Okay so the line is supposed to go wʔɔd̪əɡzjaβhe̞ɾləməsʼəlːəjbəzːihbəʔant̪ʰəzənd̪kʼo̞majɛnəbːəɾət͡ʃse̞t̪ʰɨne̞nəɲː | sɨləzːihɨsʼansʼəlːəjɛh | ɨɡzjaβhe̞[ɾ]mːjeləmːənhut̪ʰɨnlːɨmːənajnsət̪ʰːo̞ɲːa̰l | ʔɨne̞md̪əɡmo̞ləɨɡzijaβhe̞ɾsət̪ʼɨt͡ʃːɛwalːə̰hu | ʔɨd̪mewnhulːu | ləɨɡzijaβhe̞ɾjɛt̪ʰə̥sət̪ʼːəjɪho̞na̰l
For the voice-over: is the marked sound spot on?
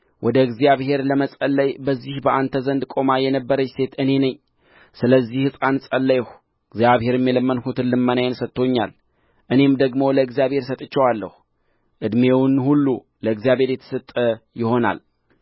yes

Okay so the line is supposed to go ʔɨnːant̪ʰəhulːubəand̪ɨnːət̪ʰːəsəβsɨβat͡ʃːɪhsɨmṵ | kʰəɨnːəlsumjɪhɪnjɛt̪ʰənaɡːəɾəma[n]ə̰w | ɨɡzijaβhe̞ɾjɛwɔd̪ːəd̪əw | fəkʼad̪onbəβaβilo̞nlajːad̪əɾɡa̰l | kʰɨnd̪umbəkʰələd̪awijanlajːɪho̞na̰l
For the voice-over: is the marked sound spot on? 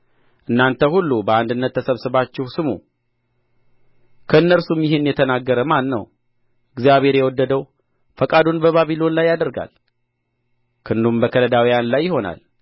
no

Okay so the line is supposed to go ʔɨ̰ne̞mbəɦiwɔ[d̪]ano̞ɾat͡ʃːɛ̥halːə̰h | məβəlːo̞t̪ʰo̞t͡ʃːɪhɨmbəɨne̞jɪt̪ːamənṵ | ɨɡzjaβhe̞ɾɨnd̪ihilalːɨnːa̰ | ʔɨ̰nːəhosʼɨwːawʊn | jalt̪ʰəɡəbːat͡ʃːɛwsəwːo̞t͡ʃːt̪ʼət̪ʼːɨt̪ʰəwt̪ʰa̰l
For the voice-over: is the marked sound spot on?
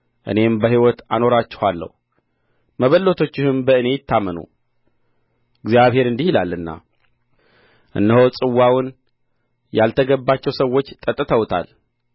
no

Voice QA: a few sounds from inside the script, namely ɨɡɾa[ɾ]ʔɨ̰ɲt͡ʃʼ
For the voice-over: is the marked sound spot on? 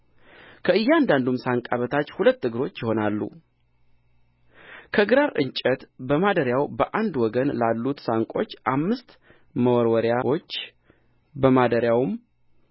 yes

